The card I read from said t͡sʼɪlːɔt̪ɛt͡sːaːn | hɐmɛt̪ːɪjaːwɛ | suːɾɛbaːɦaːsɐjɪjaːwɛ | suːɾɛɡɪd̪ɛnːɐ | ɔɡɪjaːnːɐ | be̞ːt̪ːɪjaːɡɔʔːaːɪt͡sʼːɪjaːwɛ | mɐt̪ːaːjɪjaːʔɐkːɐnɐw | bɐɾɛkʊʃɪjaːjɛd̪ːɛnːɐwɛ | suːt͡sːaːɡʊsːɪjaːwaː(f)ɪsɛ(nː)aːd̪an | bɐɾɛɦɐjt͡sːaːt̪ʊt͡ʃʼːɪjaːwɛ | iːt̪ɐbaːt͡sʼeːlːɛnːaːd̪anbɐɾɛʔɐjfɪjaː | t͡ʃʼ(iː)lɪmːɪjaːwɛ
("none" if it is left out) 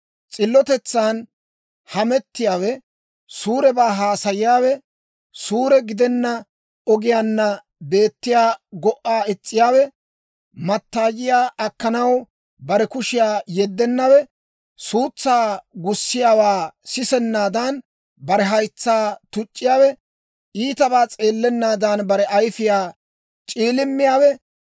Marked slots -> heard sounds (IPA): s, nː, iː

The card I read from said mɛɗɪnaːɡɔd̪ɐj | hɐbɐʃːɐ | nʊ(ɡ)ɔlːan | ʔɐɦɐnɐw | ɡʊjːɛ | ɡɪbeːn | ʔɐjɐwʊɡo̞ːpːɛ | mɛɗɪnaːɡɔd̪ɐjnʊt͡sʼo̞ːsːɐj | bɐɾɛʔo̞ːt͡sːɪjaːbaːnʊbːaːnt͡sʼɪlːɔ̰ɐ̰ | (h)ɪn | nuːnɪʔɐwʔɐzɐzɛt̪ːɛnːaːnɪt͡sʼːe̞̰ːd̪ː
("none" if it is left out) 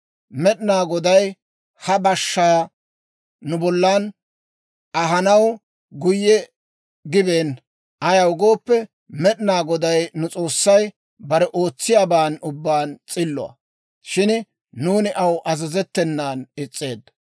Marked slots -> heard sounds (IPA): b, ʃ

